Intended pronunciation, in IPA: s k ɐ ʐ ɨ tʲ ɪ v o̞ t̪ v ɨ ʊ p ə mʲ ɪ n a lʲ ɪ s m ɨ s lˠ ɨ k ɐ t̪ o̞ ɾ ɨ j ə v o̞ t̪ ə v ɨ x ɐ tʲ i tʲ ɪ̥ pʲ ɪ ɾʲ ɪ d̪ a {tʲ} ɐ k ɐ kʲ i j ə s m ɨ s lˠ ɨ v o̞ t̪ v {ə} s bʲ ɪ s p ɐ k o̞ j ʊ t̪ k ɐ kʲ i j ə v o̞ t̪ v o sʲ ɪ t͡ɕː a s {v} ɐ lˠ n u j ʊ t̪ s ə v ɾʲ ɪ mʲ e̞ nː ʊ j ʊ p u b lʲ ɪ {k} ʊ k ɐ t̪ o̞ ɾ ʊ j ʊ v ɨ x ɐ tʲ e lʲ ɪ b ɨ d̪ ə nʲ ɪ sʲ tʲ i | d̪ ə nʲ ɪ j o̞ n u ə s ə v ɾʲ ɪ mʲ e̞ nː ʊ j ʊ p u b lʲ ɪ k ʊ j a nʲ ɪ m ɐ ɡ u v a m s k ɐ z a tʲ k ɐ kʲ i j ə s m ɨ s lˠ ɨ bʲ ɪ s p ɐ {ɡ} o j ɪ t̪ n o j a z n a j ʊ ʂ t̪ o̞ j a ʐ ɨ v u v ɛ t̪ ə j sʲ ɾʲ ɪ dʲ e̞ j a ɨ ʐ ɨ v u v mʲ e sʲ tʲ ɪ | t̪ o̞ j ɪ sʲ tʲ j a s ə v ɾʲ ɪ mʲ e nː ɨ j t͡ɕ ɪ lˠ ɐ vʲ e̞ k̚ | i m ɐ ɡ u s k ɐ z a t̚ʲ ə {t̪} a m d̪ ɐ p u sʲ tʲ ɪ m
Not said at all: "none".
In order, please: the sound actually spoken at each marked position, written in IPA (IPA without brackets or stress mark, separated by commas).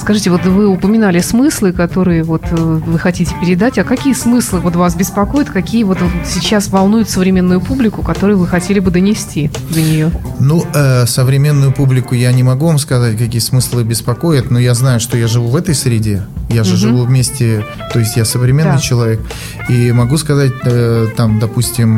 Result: tʲ, a, v, k, k, t̪